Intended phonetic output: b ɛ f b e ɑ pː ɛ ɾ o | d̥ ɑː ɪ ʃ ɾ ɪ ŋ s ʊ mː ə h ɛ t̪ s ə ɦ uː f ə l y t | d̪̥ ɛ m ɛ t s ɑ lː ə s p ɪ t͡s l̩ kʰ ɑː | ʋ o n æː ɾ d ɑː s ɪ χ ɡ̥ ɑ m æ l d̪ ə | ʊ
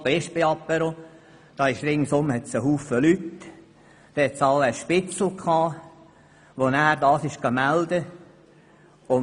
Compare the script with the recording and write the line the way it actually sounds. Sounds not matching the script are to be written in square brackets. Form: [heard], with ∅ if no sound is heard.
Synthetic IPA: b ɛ [ʃ] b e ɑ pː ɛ ɾ o | d̥ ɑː ɪ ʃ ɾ ɪ ŋ s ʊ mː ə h ɛ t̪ s ə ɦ uː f ə l y t | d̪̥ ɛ [∅] ɛ t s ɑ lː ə [ʃ] p ɪ t͡s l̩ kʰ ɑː | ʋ o n æː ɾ d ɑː s ɪ [ʃ] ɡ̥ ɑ m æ l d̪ ə | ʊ